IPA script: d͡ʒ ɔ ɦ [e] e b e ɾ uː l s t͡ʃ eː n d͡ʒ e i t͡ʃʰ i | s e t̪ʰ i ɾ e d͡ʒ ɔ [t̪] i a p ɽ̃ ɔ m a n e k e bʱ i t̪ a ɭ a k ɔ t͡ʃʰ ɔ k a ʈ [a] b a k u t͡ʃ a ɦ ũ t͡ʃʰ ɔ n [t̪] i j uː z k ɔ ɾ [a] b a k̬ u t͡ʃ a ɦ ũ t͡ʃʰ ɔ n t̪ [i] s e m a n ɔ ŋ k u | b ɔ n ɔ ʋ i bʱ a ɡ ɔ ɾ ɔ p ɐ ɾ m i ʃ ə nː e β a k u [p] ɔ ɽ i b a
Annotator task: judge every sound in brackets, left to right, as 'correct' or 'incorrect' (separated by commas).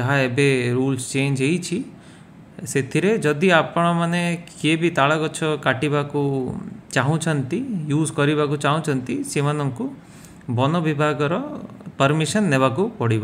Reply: incorrect, incorrect, incorrect, correct, incorrect, correct, correct